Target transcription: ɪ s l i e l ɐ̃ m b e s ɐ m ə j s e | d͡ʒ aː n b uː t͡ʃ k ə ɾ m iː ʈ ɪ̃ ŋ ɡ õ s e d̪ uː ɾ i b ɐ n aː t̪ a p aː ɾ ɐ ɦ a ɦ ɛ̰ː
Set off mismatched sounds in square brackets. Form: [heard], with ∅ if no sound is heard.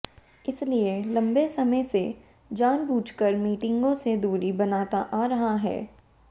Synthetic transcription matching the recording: ɪ s l i e l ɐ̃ m b e s ɐ m ə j s e | d͡ʒ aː n b uː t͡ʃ k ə ɾ m iː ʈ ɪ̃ ŋ ɡ õ s e d̪ uː ɾ i b ɐ n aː t̪ a [ʔ] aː ɾ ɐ ɦ a ɦ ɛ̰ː

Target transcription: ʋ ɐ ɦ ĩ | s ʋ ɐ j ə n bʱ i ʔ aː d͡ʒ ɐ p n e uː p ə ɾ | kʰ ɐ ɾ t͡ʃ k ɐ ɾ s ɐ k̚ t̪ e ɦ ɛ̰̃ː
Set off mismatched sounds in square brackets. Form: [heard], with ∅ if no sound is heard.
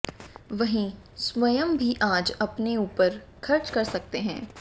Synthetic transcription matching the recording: ʋ ɐ ɦ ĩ | s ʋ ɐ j ə [m] bʱ i ʔ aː d͡ʒ ɐ p n e uː p ə ɾ | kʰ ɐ ɾ t͡ʃ k ɐ ɾ s ɐ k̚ t̪ e ɦ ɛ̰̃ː

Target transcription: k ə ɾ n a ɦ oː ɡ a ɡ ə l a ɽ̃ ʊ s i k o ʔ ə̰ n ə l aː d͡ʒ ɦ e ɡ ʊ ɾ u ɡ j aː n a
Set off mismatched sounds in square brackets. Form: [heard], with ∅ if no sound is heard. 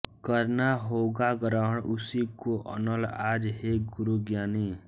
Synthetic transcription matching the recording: k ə ɾ n a ɦ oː ɡ a ɡ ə [ɾ] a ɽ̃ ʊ s i k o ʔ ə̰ n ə l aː d͡ʒ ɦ e ɡ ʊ ɾ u ɡ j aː n [i]

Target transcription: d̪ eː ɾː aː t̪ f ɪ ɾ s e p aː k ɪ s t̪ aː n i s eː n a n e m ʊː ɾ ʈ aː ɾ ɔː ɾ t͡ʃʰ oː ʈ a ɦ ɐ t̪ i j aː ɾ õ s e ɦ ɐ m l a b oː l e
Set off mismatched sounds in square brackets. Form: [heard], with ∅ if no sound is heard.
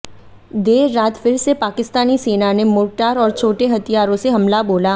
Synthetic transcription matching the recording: d̪ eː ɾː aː t̪ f ɪ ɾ s e p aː k ɪ s t̪ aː n i s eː n a n e m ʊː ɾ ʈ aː ɾ ɔː ɾ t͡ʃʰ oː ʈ [e] ɦ ɐ t̪ i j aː ɾ õ s e ɦ ɐ m l a b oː l [a]

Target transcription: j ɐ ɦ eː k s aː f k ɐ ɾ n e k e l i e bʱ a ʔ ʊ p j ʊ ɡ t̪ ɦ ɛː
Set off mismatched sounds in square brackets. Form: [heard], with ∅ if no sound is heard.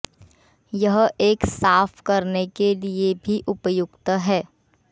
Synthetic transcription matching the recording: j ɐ ɦ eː k s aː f k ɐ ɾ n e k e l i e bʱ [i] ʔ ʊ p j ʊ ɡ t̪ ɦ ɛː

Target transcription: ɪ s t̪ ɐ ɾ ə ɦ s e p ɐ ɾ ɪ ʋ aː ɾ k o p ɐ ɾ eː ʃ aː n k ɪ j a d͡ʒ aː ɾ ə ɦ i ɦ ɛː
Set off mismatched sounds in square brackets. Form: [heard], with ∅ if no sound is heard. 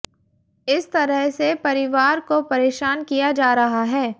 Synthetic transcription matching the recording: ɪ s t̪ ɐ ɾ ə ɦ s e p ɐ ɾ ɪ ʋ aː ɾ k o p ɐ ɾ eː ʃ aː n k [i] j a d͡ʒ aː ɾ [ɐ] ɦ [a] ɦ ɛː

